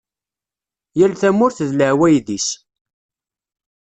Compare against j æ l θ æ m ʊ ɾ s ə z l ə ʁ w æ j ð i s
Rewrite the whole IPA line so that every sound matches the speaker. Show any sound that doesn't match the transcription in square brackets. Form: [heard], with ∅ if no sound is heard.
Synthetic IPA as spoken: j æ l θ æ m ʊ ɾ [θ] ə [ð] l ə [ʕ] w æ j ð i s